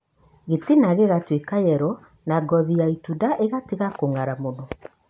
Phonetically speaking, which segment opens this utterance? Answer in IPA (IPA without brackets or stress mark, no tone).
ɣ